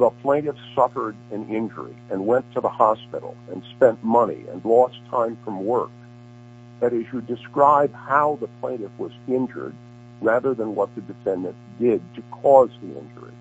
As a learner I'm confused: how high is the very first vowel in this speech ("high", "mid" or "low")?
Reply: mid